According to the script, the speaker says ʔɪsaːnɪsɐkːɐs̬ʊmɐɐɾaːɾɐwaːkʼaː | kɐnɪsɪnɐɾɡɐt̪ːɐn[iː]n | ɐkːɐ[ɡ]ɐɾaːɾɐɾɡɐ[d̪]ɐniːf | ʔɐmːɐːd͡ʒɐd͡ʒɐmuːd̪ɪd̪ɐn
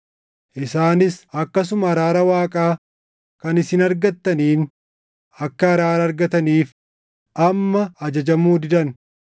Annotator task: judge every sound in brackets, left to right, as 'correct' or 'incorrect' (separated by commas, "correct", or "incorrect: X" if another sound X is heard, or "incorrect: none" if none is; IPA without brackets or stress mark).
correct, incorrect: none, incorrect: t̪